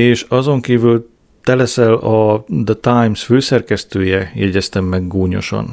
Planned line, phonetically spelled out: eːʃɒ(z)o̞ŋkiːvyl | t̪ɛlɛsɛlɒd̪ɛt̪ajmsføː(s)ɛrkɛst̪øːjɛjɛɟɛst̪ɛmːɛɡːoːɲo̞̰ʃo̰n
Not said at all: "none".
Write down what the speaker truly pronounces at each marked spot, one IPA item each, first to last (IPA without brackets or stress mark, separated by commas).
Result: z, s